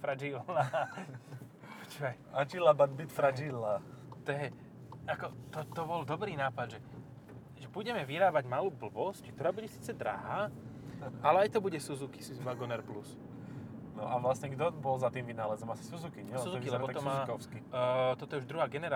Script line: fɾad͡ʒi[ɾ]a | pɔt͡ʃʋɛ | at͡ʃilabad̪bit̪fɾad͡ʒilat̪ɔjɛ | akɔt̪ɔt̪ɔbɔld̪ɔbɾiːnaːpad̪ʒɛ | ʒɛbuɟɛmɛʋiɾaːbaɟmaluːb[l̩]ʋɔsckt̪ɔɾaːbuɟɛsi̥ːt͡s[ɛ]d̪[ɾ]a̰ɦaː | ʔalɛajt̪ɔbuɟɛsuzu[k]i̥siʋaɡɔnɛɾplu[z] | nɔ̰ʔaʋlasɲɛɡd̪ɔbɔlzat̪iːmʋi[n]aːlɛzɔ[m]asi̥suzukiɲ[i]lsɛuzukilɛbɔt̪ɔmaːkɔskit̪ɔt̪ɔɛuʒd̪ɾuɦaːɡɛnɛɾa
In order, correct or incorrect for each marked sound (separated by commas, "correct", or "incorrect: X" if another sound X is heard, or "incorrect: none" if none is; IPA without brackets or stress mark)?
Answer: incorrect: l, correct, correct, correct, correct, incorrect: s, correct, correct, incorrect: ɛ